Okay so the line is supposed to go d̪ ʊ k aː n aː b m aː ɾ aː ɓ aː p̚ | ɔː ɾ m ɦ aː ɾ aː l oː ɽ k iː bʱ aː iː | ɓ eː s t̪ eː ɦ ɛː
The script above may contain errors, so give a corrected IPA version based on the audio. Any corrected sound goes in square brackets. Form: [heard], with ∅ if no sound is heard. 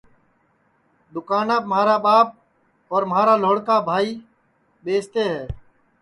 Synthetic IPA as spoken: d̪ ʊ k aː n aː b m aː ɾ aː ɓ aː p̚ | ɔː ɾ m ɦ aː ɾ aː l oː ɽ k [aː] bʱ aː iː | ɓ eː s t̪ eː ɦ ɛː